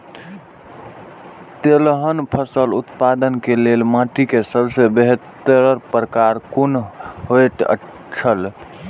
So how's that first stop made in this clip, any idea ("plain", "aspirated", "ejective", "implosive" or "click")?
plain